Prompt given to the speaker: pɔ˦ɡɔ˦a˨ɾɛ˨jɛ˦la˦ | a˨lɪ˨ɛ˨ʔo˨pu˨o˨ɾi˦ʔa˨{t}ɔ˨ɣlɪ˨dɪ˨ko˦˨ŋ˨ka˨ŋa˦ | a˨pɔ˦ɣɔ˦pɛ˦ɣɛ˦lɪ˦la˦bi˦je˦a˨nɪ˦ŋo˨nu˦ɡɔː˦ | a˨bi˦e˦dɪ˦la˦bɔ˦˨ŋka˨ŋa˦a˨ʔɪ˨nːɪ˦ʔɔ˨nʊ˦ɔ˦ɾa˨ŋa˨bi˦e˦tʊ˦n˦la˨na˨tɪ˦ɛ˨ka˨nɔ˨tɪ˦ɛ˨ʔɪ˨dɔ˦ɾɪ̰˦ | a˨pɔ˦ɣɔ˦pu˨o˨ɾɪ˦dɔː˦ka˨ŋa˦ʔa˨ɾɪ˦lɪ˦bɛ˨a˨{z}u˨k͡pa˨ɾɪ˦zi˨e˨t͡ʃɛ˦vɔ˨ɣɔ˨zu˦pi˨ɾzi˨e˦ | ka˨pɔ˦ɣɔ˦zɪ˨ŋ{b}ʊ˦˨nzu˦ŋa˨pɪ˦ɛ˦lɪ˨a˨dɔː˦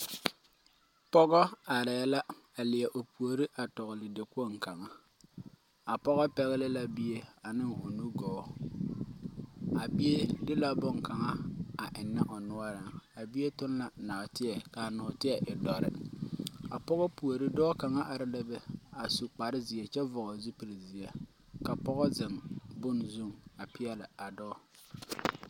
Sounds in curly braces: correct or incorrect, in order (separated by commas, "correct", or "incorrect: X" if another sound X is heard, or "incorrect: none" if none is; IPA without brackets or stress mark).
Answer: correct, incorrect: s, correct